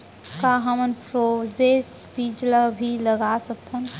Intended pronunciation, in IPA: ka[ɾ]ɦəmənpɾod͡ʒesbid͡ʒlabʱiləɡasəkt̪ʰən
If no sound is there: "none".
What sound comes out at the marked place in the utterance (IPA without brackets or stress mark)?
none